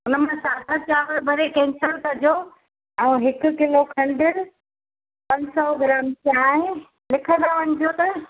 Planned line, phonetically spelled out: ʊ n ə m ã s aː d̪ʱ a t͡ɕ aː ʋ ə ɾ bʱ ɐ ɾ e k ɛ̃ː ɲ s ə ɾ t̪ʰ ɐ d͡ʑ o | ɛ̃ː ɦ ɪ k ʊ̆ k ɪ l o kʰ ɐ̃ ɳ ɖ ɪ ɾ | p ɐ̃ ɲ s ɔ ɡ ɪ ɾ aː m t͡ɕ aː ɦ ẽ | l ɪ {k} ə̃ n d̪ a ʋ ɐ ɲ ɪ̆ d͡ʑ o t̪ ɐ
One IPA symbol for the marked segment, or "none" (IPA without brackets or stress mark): kʰ